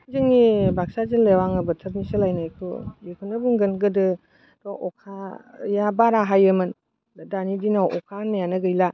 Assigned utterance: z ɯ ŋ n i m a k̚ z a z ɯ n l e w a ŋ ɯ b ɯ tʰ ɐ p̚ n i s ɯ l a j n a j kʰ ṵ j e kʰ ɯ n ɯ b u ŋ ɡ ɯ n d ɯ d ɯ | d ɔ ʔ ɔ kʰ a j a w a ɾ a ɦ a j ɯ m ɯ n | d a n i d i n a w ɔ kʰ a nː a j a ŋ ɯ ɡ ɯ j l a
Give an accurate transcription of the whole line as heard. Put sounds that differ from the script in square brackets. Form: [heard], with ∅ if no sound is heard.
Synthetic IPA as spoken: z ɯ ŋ n i [b] a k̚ [s] a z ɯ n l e w a ŋ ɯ b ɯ tʰ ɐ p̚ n i s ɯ l a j n a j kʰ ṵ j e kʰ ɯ n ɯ b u ŋ ɡ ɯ n [ɡ] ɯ d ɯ | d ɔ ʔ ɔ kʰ a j a [b] a ɾ a ɦ a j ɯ m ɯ n | d a n i d i n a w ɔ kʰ a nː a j a [n] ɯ ɡ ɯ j l a

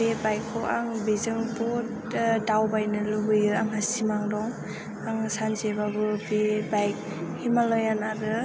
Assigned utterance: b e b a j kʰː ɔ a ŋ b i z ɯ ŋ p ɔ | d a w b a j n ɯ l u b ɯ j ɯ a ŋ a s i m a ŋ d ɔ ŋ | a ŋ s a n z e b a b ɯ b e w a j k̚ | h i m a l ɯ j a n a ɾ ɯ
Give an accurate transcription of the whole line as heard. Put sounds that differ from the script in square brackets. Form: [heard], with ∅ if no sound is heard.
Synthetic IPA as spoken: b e b a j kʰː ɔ a ŋ b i z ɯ ŋ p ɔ | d a w b a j n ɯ l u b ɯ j ɯ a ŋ a s i m a ŋ d ɔ ŋ | a ŋ s a n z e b a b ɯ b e [b] a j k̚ | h i m a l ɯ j a n a ɾ ɯ

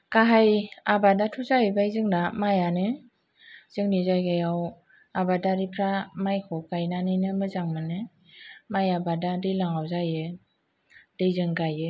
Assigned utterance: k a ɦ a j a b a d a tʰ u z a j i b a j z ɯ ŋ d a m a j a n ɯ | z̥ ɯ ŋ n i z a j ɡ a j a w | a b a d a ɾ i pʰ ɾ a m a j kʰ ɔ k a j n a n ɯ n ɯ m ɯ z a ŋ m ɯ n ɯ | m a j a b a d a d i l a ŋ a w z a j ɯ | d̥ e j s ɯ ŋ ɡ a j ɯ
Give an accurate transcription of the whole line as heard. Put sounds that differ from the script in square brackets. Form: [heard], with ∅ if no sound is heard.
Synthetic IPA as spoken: k a ɦ a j a b a d a tʰ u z a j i b a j z ɯ ŋ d a m a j a n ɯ | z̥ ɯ ŋ n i z a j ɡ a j a w | a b a d a ɾ i pʰ ɾ a m a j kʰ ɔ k a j n a n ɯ n ɯ m ɯ z a ŋ m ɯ n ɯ | m a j a b a d a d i l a ŋ a w z a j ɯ | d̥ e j [z] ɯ ŋ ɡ a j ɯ

